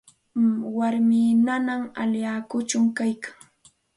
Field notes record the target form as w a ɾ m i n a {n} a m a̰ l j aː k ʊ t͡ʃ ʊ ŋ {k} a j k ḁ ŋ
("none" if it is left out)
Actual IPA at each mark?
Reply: n, k

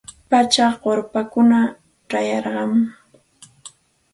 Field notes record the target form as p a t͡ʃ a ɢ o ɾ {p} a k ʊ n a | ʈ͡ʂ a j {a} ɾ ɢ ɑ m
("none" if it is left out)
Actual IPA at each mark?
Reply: p, ɑ

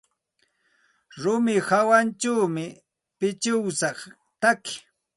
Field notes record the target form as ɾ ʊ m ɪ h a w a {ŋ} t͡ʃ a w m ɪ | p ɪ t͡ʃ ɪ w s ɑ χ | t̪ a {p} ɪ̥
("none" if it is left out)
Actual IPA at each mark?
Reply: n, k

